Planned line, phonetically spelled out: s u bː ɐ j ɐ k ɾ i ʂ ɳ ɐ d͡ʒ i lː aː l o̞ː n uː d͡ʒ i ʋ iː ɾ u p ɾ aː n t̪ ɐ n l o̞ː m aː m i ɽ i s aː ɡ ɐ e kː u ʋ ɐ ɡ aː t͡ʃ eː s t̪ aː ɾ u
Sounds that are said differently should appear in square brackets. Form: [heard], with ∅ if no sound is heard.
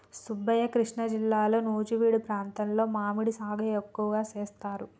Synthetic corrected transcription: s u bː ɐ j ɐ k ɾ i ʂ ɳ ɐ d͡ʒ i lː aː l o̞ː n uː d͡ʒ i ʋ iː [ɽ] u p ɾ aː n t̪ ɐ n l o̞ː m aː m i ɽ i s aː ɡ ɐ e kː u ʋ ɐ ɡ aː t͡ʃ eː s t̪ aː ɾ u